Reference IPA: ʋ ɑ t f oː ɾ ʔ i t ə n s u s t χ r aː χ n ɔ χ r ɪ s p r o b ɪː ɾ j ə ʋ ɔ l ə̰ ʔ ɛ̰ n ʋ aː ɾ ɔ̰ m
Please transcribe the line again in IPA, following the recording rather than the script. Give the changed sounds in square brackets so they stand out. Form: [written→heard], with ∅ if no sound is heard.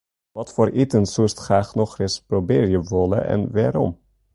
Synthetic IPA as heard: ʋ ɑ t f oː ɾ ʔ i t ə n s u s t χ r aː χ n ɔ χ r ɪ s p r o b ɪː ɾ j ə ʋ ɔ l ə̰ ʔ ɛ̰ n ʋ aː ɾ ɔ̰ m